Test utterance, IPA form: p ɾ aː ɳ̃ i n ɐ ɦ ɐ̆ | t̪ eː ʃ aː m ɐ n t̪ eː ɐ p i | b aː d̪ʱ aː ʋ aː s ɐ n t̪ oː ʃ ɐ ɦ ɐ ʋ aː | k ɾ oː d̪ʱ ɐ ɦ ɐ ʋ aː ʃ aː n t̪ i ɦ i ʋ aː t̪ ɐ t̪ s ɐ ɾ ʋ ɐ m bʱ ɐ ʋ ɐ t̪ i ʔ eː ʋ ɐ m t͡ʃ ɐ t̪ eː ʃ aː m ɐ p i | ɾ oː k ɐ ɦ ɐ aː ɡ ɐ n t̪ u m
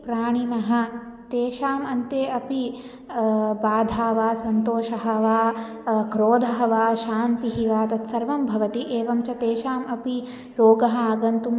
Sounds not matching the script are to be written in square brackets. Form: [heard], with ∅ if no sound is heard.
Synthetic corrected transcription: p ɾ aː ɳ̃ i n ɐ ɦ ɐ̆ | t̪ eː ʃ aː m ɐ n t̪ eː ɐ p i | b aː d̪ʱ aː ʋ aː s ɐ n t̪ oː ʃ ɐ ɦ ɐ ʋ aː | k ɾ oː d̪ʱ ɐ ɦ ɐ ʋ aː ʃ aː n t̪ i ɦ i ʋ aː t̪ ɐ t̪ s ɐ ɾ ʋ ɐ m bʱ ɐ ʋ ɐ t̪ i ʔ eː ʋ ɐ m t͡ʃ ɐ t̪ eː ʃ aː m ɐ p i | ɾ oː [ɡ] ɐ ɦ ɐ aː ɡ ɐ n t̪ u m